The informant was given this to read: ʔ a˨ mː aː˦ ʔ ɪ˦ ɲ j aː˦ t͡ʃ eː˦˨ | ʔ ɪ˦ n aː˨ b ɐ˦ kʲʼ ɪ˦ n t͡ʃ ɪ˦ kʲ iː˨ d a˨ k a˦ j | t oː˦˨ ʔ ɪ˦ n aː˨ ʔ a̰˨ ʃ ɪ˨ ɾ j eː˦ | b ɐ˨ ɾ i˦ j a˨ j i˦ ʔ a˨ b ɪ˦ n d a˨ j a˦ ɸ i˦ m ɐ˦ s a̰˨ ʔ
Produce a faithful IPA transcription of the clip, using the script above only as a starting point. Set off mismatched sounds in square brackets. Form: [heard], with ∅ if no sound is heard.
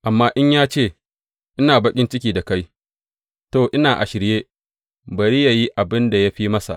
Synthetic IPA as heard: ʔ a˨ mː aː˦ ʔ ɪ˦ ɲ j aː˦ t͡ʃ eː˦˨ | ʔ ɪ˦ n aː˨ b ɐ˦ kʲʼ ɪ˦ n t͡ʃ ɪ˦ kʲ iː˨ d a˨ k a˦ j | t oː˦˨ ʔ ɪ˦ n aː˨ ʔ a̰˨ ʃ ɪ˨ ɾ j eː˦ | b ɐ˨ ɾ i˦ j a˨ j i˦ ʔ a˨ b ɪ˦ n d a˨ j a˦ ɸ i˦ m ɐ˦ s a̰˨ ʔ